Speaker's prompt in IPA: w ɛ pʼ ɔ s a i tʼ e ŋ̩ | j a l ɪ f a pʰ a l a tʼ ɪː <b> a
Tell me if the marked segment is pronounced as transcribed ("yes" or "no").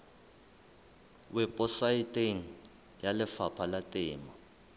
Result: no